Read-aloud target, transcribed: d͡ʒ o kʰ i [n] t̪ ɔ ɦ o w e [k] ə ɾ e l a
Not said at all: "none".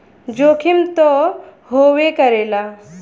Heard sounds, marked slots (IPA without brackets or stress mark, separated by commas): m, k